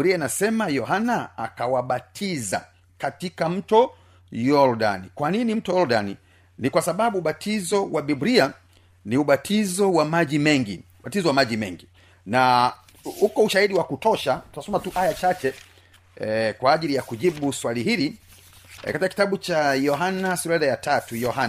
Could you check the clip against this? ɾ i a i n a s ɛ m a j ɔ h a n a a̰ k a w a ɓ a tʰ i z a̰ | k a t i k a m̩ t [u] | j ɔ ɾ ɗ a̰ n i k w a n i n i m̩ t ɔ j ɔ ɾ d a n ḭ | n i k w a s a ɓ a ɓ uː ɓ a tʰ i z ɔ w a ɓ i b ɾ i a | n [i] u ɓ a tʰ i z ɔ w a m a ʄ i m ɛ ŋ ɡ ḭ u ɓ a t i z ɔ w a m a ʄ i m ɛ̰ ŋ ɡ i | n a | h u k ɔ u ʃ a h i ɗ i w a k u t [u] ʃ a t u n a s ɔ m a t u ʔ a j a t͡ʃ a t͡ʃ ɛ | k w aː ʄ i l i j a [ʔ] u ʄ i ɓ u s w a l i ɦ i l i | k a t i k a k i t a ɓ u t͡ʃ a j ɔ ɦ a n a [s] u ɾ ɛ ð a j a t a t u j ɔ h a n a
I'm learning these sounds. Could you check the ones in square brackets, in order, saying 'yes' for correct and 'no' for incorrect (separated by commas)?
no, yes, no, no, yes